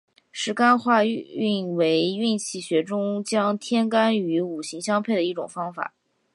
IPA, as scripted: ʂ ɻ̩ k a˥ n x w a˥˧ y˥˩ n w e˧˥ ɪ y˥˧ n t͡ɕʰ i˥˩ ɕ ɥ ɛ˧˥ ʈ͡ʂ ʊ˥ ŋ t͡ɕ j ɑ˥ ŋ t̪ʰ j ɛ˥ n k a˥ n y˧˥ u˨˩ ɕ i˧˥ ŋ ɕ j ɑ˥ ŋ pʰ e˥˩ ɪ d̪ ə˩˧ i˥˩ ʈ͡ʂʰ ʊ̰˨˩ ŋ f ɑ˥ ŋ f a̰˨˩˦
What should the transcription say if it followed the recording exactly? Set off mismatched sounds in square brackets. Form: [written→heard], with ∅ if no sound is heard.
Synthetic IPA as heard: ʂ ɻ̩ k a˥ n x w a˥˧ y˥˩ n w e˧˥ ɪ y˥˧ n t͡ɕʰ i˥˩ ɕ ɥ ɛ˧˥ ʈ͡ʂ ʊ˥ ŋ t͡ɕ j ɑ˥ ŋ t̪ʰ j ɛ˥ n k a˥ n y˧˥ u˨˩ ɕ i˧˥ ŋ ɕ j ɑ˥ ŋ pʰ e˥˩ ɪ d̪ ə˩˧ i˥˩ [ʈ͡ʂʰ→ʈ͡ʂ] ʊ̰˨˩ ŋ f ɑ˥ ŋ f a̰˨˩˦